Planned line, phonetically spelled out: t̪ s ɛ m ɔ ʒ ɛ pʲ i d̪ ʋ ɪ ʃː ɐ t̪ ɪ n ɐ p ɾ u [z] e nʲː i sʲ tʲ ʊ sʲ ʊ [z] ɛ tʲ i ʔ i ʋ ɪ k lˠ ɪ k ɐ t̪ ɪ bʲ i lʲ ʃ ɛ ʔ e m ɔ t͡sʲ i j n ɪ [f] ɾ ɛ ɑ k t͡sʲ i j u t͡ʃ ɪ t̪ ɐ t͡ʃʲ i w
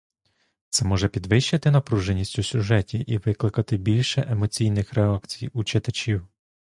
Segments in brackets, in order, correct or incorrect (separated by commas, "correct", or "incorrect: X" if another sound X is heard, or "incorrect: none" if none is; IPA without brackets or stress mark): incorrect: ʒ, incorrect: ʒ, incorrect: x